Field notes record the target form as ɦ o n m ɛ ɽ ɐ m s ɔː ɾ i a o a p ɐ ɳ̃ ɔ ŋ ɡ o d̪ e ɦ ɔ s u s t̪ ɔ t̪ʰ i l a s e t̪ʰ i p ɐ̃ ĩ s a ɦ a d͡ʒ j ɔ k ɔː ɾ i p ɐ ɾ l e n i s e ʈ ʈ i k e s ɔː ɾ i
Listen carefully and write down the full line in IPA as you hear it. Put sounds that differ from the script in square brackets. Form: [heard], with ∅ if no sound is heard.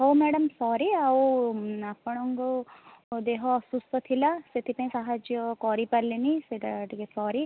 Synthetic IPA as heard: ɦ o [∅] m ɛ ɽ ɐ m s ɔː ɾ i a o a p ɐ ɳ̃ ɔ ŋ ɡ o d̪ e ɦ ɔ s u s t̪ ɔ t̪ʰ i l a s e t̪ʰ i p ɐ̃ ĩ s a ɦ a d͡ʒ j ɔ k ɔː ɾ i p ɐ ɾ l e n i s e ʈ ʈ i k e s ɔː ɾ i

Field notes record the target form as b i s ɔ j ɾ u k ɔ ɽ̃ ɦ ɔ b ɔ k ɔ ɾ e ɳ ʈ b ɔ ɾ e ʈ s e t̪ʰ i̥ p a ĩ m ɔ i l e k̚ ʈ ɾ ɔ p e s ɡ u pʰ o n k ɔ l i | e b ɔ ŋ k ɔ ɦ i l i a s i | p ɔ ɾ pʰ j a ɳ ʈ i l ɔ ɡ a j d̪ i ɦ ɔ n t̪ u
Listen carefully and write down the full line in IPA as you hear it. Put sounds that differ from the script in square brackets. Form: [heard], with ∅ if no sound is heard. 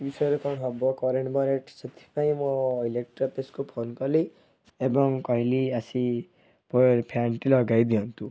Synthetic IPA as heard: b i s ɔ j ɾ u k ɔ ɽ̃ ɦ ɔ b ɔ k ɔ ɾ e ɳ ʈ b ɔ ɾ e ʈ s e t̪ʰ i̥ p a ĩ m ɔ i l e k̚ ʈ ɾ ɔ p e s [k] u pʰ o n k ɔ l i | e b ɔ ŋ k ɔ ɦ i l i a s i | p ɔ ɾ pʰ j a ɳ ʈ i l ɔ ɡ a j d̪ i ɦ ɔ n t̪ u

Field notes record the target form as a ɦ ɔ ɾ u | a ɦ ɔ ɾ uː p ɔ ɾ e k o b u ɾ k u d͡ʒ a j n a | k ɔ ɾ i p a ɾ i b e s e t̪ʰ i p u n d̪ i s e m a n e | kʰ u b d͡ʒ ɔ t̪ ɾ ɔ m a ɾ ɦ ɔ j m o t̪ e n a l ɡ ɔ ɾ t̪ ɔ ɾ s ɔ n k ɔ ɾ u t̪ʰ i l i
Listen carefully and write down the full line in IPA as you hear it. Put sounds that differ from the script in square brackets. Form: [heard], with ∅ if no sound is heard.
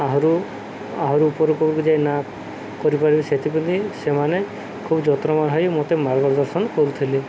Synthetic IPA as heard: a ɦ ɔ ɾ u | a ɦ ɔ ɾ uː p ɔ ɾ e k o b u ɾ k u d͡ʒ a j n a | k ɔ ɾ i p a ɾ i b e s e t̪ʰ i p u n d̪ i s e m a n e | kʰ u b d͡ʒ ɔ t̪ ɾ ɔ m a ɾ ɦ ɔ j m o t̪ e [m] a [ɾ] ɡ ɔ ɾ [d̪] ɔ ɾ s ɔ n k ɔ ɾ u t̪ʰ i l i

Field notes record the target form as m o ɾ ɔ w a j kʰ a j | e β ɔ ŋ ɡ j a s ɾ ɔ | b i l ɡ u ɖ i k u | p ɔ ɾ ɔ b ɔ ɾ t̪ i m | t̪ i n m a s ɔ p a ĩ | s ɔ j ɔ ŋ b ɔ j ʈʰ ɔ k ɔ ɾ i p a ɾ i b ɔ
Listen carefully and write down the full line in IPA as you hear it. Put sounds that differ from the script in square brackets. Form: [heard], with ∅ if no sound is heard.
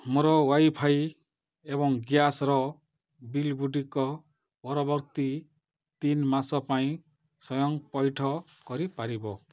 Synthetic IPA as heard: m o ɾ ɔ w a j [pʰ] a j | e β ɔ ŋ ɡ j a s ɾ ɔ | b i l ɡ u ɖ i k [ɔ] | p ɔ ɾ ɔ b ɔ ɾ t̪ i [∅] | t̪ i n m a s ɔ p a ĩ | s ɔ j ɔ ŋ [p] ɔ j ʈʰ ɔ k ɔ ɾ i p a ɾ i b ɔ

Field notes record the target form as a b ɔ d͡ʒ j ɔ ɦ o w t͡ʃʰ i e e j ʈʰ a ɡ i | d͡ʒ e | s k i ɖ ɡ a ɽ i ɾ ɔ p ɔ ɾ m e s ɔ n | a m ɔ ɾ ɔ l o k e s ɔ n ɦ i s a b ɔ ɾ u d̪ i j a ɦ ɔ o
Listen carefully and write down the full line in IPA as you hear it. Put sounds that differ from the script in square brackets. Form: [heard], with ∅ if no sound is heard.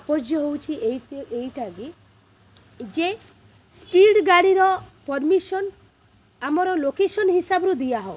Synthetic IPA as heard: a [p] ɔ d͡ʒ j ɔ ɦ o w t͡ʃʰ i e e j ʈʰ a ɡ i | d͡ʒ e | s [p] i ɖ ɡ a ɽ i ɾ ɔ p ɔ ɾ m [i] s ɔ n | a m ɔ ɾ ɔ l o k e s ɔ n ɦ i s a b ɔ ɾ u d̪ i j a ɦ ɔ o

